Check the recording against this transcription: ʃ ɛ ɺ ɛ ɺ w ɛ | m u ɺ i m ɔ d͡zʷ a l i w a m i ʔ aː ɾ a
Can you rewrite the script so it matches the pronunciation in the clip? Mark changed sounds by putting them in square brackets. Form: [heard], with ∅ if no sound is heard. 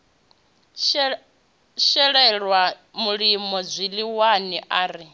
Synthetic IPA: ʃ ɛ ɺ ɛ ɺ w [a] | m u ɺ i m ɔ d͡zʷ [i] l i w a [n] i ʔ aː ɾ [i]

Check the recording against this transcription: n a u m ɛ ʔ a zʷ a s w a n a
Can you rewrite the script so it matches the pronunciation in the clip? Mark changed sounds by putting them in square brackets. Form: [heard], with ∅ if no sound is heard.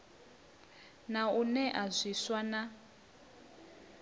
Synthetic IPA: n a u [n] ɛ ʔ a zʷ [i] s w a n a

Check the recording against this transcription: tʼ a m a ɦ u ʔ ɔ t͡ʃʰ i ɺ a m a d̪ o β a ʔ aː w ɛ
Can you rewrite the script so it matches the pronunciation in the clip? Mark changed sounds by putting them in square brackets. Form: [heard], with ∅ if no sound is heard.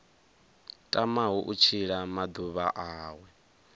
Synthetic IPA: tʼ a m a ɦ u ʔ [u] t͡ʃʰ i ɺ a m a d̪ [u] β a ʔ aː w ɛ

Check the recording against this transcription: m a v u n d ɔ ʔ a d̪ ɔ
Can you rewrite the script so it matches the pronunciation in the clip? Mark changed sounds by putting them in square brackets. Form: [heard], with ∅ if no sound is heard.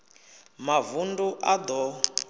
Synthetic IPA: m a v u n d [u] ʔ a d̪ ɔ

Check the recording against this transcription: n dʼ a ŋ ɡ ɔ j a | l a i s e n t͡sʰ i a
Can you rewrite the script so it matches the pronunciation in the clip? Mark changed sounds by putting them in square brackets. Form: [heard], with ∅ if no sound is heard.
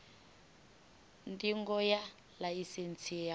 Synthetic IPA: n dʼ [i] ŋ ɡ ɔ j a | l a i s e n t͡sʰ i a

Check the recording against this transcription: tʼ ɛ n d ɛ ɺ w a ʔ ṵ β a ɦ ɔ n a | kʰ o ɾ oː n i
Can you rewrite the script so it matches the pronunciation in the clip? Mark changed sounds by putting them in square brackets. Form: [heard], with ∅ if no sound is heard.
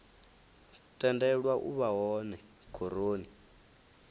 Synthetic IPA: tʼ ɛ n d ɛ ɺ w a ʔ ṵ β a ɦ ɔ n [ɛ] | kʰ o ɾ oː n i

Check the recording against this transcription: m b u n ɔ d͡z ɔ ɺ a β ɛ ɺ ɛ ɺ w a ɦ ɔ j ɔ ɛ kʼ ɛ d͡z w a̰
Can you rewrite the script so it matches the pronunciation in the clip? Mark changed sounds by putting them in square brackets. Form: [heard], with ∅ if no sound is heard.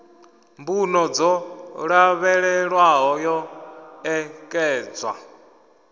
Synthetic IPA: m b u n ɔ d͡z ɔ ɺ a β ɛ ɺ ɛ ɺ w a ɦ ɔ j ɔ ɛ kʼ [ɛː] d͡z w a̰

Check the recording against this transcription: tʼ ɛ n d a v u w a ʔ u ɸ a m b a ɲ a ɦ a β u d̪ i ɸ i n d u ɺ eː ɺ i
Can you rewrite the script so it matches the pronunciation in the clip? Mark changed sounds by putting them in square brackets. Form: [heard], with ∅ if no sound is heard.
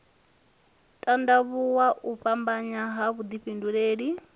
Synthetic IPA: tʼ [a] n d a [β] u w a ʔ u ɸ a m b a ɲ a ɦ a β u d̪ i ɸ i n d u ɺ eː ɺ i

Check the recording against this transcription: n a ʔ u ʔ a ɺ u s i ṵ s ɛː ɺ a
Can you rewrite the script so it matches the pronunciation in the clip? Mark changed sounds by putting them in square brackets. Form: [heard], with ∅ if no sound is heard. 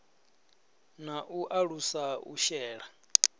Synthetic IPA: n a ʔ u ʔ a ɺ u s [a] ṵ [ʃ] ɛː ɺ a

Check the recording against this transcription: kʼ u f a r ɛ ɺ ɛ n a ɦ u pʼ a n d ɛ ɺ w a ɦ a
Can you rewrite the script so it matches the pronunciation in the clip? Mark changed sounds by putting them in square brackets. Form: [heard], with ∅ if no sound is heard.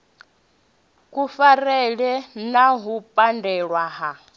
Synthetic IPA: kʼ u f a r ɛ ɺ ɛ n a ɦ u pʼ a n d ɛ ɺ w a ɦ a

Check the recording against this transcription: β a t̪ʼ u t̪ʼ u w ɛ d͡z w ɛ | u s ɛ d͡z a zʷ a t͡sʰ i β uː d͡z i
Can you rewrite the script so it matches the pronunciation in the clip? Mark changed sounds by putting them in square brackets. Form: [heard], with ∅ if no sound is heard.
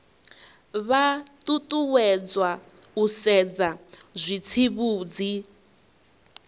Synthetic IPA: β a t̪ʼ u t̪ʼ u w ɛ d͡z w [a] | u s ɛ d͡z a zʷ [i] t͡sʰ i β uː d͡z i

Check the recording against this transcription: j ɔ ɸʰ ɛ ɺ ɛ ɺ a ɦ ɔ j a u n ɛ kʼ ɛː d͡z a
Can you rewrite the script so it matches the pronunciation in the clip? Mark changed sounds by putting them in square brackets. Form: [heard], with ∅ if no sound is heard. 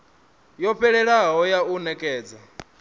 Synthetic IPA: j ɔ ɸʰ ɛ ɺ ɛ ɺ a ɦ ɔ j a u n ɛ kʼ ɛː d͡z a

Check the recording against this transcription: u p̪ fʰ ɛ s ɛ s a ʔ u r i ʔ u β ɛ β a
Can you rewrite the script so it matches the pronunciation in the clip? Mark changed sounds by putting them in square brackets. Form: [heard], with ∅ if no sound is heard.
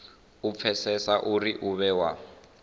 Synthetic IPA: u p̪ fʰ ɛ s ɛ s a ʔ u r i ʔ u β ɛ [w] a

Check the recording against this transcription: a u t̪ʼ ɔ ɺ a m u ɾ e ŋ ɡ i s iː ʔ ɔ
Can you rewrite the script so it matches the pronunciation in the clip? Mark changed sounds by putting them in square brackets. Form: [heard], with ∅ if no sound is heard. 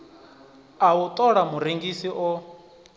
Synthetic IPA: a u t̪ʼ ɔ ɺ a m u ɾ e ŋ ɡ i s [i] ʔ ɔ

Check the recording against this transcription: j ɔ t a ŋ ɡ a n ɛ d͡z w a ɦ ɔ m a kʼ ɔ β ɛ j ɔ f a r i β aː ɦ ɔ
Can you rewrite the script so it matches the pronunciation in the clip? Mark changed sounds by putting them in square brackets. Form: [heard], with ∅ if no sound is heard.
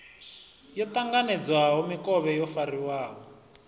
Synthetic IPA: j ɔ t a ŋ ɡ a n ɛ d͡z w a ɦ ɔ m [i] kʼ ɔ β ɛ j ɔ f a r i [w] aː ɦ ɔ

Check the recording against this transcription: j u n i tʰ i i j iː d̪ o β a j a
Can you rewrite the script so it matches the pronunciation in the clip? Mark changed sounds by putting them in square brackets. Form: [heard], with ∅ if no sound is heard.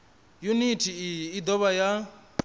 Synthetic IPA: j u n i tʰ i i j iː d̪ [ɔ] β a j a

